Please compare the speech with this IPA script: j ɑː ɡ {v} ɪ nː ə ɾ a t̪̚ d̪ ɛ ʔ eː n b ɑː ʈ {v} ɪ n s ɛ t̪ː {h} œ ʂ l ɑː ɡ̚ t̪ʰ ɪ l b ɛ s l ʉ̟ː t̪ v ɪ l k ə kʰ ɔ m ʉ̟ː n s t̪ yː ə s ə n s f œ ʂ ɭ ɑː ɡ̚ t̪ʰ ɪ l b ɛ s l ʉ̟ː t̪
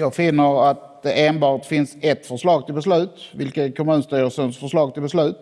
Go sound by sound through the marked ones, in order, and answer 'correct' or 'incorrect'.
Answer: incorrect: f, incorrect: f, incorrect: f

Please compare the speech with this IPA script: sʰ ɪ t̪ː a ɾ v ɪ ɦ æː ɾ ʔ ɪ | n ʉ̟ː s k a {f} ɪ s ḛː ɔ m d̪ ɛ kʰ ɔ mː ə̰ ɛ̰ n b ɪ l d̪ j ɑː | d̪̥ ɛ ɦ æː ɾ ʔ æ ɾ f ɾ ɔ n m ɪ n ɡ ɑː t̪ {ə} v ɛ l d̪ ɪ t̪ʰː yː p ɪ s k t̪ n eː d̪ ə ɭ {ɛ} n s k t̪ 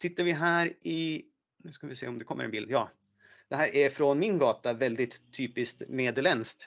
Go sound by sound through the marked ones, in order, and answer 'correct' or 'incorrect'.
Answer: incorrect: v, incorrect: a, correct

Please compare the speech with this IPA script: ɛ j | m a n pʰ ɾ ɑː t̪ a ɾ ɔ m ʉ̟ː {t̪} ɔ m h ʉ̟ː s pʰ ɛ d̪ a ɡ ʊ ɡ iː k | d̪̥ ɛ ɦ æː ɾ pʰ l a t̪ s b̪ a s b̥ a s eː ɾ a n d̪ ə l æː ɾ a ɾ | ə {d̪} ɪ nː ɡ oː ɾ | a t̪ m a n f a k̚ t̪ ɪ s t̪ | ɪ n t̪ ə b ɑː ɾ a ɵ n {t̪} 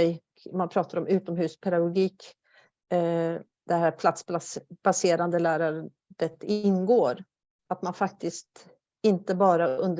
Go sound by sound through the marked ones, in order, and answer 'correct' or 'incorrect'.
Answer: correct, incorrect: t̪, incorrect: d̪

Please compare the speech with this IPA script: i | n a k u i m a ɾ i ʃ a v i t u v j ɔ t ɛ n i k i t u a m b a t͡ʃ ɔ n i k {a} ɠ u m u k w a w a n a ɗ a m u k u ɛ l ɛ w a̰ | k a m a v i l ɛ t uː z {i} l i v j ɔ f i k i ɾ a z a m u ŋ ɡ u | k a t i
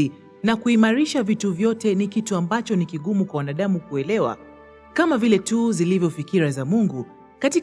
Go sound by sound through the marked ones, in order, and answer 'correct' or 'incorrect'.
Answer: incorrect: i, correct

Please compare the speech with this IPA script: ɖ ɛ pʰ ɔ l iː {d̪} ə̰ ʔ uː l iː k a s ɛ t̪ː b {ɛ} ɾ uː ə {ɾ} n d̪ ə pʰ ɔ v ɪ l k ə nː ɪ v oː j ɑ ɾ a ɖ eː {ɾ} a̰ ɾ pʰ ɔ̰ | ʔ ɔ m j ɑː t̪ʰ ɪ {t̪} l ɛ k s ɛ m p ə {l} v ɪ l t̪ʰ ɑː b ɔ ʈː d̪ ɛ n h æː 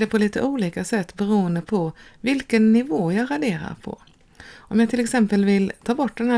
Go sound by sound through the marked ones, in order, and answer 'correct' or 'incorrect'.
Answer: incorrect: t̪, correct, incorrect: none, correct, incorrect: none, correct

